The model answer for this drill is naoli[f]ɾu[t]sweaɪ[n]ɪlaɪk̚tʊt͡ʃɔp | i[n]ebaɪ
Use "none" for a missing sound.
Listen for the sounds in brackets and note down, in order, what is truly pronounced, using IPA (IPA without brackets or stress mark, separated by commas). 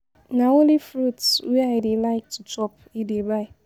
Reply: f, t, d, d